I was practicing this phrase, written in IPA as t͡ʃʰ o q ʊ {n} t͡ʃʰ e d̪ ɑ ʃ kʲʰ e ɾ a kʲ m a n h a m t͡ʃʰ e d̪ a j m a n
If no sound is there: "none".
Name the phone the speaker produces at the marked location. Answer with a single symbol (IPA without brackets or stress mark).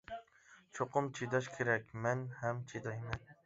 m